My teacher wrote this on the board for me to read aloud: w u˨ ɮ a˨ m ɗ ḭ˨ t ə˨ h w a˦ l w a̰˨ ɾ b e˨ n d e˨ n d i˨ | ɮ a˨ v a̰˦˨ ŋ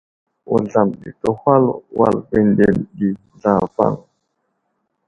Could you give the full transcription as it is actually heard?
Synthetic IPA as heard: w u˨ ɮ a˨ m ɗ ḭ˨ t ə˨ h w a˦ l w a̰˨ l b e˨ n d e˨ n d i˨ | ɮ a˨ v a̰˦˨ ŋ